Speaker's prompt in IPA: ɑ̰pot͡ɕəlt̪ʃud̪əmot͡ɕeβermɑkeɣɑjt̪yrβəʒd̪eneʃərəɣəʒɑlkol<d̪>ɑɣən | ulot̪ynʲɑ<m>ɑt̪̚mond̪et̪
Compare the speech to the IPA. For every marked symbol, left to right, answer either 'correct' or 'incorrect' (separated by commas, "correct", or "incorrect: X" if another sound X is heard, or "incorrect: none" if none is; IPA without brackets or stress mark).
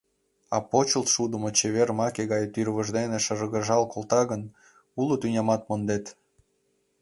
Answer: incorrect: t̪, correct